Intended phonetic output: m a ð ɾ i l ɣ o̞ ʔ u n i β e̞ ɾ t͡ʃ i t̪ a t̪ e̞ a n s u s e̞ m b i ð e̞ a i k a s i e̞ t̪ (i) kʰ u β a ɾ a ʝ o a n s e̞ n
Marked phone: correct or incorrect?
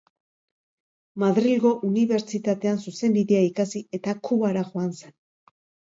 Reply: incorrect: a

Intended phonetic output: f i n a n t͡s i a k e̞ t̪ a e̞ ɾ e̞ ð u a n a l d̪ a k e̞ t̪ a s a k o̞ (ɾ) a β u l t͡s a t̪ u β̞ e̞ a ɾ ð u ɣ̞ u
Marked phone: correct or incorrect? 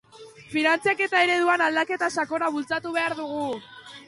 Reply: correct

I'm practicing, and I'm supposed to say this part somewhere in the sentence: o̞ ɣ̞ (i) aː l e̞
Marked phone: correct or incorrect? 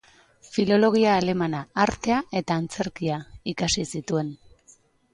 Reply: correct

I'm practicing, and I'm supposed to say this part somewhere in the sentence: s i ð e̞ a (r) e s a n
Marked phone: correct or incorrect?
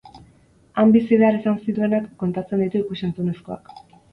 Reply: incorrect: ɾ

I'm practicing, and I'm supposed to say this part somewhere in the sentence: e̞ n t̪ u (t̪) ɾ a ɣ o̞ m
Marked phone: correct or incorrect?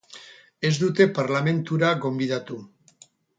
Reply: incorrect: none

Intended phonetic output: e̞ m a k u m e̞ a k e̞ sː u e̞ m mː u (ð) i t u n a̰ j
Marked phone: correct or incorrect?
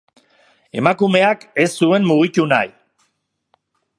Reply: incorrect: ɣ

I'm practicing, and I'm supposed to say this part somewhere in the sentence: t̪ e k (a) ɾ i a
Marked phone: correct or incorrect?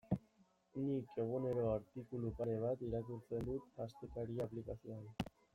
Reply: correct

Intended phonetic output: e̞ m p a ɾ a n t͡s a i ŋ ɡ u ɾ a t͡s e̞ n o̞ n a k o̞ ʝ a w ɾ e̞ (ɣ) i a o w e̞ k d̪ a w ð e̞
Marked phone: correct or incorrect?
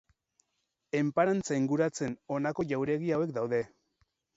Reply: correct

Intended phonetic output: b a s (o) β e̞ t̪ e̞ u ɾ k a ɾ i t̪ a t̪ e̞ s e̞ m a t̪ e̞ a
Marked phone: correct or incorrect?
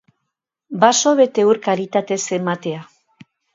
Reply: correct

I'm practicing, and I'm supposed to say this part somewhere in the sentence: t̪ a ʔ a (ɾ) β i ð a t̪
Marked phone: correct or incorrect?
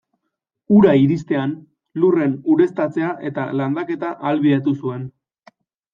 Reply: incorrect: l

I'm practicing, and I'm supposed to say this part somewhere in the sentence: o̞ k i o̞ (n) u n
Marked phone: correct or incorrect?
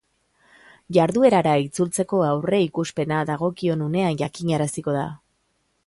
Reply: correct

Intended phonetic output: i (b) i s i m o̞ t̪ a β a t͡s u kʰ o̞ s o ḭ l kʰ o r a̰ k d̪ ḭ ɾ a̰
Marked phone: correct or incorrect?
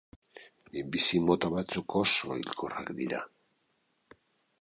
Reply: correct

